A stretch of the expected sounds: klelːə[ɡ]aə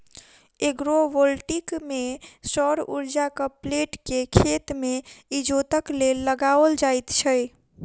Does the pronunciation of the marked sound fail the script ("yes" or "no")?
no